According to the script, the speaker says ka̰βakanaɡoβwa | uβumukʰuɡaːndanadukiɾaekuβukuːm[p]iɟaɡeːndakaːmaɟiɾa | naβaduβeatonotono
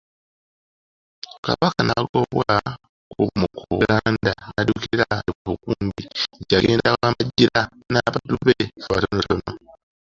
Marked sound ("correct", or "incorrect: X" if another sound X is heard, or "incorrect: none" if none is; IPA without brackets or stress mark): incorrect: b